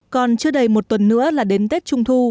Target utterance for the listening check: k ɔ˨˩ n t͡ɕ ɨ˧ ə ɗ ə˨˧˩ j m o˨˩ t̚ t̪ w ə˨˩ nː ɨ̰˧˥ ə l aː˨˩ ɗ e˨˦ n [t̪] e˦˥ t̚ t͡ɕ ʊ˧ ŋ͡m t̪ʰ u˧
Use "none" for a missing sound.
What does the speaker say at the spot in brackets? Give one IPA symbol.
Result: t̪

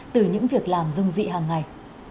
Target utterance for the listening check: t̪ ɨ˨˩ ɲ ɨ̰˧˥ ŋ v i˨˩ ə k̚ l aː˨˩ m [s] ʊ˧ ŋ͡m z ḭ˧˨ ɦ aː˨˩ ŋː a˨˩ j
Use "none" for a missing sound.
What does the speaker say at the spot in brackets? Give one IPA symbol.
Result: z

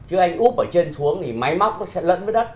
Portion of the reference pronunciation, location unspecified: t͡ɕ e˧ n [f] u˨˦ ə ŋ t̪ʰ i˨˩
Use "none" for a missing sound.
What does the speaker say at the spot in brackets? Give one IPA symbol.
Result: s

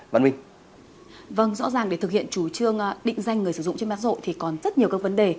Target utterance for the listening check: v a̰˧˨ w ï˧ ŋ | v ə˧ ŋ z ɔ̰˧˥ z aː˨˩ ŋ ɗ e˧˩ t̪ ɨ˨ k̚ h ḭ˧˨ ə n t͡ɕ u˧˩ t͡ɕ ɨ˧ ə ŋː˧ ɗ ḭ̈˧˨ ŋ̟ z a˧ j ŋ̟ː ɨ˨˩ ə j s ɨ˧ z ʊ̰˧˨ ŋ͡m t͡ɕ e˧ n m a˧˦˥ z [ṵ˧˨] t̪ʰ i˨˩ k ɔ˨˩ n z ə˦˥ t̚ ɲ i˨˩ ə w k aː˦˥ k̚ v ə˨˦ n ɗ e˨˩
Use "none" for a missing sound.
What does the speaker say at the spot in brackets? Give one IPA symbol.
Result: o̰˧˨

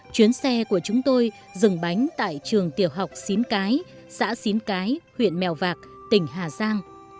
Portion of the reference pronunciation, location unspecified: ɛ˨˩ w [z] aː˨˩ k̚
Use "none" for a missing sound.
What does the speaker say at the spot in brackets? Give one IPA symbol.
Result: v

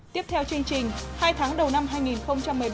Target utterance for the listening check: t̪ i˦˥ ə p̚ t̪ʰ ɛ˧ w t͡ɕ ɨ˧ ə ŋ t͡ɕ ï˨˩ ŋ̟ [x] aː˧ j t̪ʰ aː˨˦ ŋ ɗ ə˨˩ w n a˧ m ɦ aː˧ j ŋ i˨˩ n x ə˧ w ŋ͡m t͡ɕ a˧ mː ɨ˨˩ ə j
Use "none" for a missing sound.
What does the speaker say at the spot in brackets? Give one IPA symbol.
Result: h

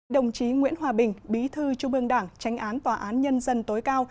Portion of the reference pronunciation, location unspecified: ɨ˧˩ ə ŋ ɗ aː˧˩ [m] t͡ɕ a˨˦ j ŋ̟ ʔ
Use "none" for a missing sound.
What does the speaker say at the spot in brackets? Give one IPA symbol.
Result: ŋ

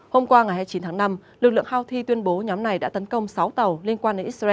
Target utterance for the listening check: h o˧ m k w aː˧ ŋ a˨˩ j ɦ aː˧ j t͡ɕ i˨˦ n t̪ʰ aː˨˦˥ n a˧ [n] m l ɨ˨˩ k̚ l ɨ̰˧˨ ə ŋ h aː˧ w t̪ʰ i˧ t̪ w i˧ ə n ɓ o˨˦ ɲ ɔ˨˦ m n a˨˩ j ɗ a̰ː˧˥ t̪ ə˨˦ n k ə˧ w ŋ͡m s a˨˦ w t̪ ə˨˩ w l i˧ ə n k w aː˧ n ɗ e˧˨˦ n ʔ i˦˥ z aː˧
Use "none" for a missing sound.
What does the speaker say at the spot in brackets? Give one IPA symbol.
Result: none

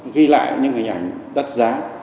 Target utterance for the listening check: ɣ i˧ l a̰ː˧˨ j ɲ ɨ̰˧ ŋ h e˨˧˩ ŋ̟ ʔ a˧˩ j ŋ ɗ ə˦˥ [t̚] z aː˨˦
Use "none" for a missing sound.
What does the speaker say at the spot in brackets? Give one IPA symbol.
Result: t̚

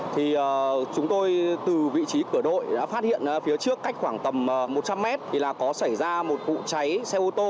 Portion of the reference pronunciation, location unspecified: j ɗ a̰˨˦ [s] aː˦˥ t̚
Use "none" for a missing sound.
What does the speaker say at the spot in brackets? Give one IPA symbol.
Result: f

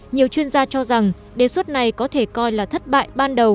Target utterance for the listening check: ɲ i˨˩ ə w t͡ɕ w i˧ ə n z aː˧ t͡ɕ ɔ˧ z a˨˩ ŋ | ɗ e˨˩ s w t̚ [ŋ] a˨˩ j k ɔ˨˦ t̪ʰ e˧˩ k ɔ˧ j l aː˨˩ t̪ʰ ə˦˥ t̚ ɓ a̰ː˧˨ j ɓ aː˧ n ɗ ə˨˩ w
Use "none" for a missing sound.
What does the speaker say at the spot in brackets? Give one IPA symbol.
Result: n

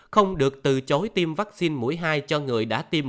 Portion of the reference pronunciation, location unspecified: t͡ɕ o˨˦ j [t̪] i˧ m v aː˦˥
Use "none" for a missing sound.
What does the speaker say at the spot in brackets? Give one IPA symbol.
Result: t̪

